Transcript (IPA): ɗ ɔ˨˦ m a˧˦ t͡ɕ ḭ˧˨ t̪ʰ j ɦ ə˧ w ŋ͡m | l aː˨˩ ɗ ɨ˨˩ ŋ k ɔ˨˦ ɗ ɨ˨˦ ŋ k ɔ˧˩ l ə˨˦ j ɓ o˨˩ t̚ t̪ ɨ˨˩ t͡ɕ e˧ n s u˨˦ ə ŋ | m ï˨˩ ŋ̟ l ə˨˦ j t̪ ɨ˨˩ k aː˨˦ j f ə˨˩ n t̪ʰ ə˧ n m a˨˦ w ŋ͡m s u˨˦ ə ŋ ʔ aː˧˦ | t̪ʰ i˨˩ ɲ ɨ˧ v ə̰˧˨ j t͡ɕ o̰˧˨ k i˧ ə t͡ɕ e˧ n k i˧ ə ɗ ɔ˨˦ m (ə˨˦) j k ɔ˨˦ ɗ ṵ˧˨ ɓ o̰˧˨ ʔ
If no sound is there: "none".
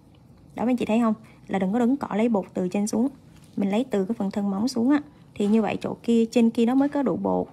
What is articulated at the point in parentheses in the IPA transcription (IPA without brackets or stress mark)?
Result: əː˨˦